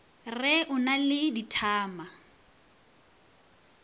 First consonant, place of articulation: alveolar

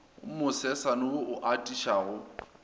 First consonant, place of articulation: labial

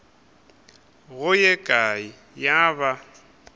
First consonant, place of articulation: velar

